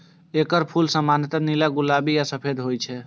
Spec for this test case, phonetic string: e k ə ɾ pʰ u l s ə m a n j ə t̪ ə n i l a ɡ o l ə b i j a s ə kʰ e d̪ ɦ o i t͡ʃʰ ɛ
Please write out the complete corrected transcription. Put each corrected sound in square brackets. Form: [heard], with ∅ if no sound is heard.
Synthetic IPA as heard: e k ə ɾ pʰ u l s ə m a n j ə t̪ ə n i l a ɡ [u] l [a] b i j a s ə [pʰ] e d̪ ɦ o [j] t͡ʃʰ ɛ